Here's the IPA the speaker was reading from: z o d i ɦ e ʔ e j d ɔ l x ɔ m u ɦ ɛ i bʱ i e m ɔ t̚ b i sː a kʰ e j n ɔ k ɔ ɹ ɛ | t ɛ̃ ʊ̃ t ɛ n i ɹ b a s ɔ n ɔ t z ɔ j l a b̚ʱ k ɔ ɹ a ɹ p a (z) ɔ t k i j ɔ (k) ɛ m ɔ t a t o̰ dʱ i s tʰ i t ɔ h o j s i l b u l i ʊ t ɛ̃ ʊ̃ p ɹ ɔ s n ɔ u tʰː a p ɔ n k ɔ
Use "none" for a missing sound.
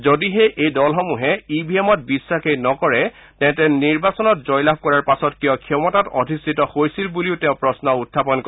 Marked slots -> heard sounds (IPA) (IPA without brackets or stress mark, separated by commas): s, kʰ